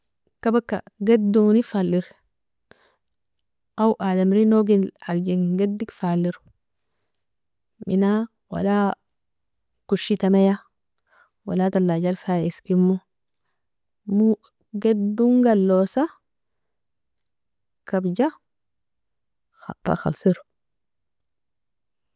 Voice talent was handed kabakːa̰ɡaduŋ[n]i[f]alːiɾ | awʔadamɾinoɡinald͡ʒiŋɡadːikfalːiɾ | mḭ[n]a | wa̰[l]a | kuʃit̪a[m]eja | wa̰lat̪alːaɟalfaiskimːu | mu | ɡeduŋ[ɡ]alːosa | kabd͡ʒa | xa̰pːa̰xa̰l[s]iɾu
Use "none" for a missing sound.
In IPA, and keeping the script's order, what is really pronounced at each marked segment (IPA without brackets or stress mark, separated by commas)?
n, f, n, l, m, ɡ, s